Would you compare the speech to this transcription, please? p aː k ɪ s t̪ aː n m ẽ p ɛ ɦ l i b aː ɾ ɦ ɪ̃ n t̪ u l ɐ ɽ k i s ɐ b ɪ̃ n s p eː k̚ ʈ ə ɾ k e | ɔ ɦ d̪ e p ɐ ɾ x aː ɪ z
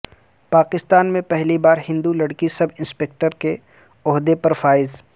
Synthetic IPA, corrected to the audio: p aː k ɪ s t̪ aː n m ẽ p ɛ ɦ l i b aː ɾ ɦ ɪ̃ n d̪ u l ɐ ɽ k i s ɐ b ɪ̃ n s p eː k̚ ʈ ə ɾ k e | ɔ ɦ d̪ e p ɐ ɾ f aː ɪ z

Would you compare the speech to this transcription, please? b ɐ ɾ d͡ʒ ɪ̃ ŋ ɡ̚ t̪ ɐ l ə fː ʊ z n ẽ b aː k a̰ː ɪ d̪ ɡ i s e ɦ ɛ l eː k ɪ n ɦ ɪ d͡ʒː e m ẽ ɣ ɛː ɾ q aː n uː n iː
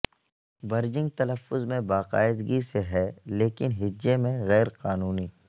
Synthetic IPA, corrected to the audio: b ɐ ɾ d͡ʒ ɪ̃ ŋ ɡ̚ t̪ ɐ l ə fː ʊ z m ẽ b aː q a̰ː ɪ d̪ ɡ i s e ɦ ɛ l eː k ɪ n ɦ ɪ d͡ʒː e m ẽ ɣ ɛː ɾ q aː n uː n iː

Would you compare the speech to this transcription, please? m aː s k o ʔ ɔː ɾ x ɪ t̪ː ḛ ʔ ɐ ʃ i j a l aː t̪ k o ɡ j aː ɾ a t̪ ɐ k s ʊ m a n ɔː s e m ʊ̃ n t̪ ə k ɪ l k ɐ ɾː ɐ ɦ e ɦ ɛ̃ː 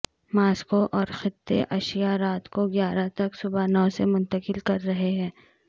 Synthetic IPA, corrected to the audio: m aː s k o ʔ ɔː ɾ x ɪ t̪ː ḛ ʔ ɐ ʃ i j a ɾ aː t̪ k o ɡ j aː ɾ a t̪ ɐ k s ʊ b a n ɔː s e m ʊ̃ n t̪ ə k ɪ l k ɐ ɾː ɐ ɦ e ɦ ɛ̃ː

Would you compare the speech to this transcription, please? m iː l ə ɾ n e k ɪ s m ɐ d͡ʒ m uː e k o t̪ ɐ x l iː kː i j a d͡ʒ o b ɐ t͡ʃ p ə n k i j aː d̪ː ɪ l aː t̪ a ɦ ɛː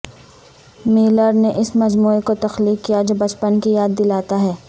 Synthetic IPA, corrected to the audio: m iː l ə ɾ n e ʔ ɪ s m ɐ d͡ʒ m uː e k o t̪ ɐ x l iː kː i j a d͡ʒ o b ɐ t͡ʃ p ə n k i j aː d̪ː ɪ l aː t̪ a ɦ ɛː

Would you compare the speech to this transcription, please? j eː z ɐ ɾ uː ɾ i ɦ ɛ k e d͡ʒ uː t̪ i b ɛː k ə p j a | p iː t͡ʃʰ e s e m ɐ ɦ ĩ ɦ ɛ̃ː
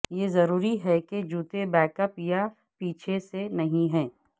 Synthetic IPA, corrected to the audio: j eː z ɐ ɾ uː ɾ i ɦ ɛ k e d͡ʒ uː t̪ e b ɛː k ə p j a | p iː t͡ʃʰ e s e n ɐ ɦ ĩ ɦ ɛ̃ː

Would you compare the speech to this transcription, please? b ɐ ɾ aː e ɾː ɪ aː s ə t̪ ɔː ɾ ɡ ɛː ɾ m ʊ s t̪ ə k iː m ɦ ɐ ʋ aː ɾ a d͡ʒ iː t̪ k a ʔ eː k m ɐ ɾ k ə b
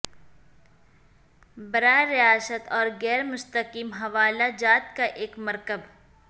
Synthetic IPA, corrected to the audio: b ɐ ɾ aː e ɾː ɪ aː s ə t̪ ɔː ɾ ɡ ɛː ɾ m ʊ s t̪ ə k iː m ɦ ɐ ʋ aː l a d͡ʒ aː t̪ k a ʔ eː k m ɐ ɾ k ə b

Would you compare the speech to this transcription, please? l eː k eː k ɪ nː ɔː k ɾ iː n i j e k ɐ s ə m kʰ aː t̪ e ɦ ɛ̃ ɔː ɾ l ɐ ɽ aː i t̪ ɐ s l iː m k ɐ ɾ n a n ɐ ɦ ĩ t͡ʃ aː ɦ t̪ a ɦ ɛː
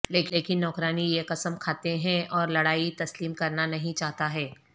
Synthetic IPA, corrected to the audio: l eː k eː k ɪ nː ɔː k ɾ aː n i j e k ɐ s ə m kʰ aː t̪ e ɦ ɛ̃ ɔː ɾ l ɐ ɽ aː i t̪ ɐ s l iː m k ɐ ɾ n a n ɐ ɦ ĩ t͡ʃ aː ɦ t̪ a ɦ ɛː

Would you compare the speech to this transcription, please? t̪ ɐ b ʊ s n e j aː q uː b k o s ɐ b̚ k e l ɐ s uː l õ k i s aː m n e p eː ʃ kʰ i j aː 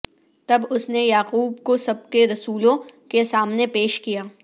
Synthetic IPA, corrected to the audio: t̪ ɐ b ʊ s n e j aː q uː b k o s ɐ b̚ k e ɾ ɐ s uː l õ k e s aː m n e p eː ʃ k i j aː

